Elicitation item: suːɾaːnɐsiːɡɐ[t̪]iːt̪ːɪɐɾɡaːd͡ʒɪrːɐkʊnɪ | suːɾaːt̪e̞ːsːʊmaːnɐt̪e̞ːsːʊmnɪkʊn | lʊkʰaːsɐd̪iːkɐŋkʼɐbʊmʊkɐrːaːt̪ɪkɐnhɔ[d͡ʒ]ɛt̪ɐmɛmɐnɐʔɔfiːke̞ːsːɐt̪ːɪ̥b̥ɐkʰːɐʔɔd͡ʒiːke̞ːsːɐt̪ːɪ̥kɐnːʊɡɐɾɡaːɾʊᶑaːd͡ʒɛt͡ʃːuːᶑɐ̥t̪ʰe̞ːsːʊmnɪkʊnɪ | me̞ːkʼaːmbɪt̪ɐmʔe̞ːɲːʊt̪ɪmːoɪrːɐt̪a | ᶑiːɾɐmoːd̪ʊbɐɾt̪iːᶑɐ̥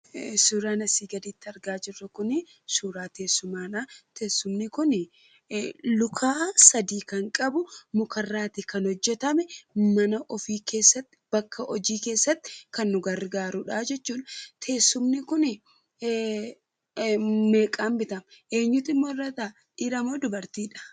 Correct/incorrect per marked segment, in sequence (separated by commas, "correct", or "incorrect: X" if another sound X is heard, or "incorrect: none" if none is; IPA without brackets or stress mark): incorrect: d̪, incorrect: d͡ʒː